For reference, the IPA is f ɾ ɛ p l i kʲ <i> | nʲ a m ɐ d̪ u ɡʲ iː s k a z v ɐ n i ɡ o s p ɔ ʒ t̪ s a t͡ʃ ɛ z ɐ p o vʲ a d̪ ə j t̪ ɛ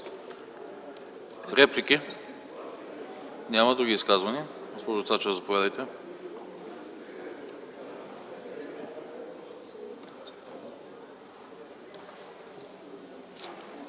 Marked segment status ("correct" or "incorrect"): correct